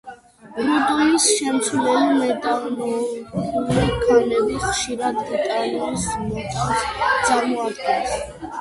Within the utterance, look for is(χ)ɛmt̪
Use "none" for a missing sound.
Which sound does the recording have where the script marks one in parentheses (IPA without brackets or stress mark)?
ʃ